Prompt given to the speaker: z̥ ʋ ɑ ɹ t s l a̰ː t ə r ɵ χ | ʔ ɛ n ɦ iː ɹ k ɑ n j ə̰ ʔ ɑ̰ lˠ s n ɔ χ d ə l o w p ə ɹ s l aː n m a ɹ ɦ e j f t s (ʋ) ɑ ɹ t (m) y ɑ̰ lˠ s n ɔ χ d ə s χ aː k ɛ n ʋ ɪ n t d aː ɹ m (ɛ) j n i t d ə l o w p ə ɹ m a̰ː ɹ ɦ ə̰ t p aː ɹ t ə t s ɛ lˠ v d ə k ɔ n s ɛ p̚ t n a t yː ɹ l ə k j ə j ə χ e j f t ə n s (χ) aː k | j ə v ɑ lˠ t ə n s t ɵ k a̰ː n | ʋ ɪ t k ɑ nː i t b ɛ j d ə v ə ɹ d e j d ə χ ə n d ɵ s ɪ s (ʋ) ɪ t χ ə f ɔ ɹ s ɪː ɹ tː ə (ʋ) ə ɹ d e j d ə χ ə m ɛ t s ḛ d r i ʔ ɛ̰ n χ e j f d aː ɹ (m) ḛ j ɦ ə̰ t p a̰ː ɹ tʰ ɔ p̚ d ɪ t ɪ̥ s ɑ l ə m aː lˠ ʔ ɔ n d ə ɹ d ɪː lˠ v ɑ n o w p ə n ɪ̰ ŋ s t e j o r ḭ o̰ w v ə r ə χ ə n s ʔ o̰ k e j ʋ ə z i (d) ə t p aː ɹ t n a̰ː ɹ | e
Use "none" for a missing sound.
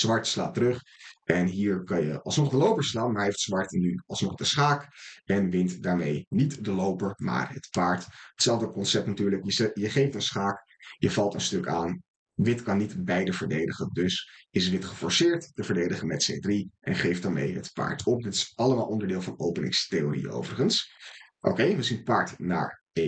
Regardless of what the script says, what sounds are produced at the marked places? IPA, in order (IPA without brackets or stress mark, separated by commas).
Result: ʋ, n, e, χ, ʋ, v, m, n